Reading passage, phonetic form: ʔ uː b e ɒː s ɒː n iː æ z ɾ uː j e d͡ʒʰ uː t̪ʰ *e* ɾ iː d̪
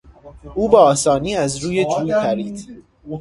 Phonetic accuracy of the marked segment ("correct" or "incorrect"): incorrect